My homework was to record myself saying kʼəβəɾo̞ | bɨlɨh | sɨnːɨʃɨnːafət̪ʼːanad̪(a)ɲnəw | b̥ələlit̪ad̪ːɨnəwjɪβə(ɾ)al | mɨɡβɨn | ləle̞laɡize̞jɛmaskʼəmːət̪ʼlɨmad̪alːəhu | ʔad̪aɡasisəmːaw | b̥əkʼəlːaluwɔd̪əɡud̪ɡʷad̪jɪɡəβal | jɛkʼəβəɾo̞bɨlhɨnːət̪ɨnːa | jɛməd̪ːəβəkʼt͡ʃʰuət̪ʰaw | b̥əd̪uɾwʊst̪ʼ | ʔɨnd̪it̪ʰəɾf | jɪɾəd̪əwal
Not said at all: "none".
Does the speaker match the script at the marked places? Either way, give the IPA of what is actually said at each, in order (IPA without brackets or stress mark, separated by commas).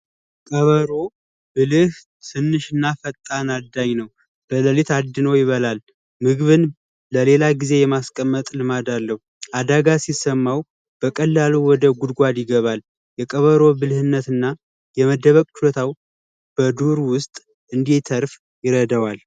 a, l